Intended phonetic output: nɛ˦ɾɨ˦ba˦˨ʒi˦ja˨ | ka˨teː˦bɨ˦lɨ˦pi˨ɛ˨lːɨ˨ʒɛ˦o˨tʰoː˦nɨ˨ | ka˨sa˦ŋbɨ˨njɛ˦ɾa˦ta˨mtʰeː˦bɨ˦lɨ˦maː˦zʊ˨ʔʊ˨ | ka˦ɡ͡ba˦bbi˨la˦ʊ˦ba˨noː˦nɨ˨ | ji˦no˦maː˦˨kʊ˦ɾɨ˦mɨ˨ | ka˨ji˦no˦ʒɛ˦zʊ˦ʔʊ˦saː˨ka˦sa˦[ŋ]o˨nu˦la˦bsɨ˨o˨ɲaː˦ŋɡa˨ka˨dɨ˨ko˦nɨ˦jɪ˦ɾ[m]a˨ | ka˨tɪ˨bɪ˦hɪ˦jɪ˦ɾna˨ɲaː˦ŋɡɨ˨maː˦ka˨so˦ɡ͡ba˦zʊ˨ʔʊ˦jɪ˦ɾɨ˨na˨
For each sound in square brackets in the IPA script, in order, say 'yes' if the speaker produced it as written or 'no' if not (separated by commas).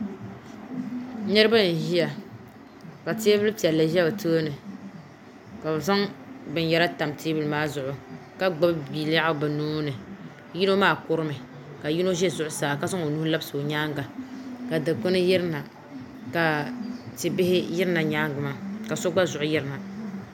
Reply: yes, no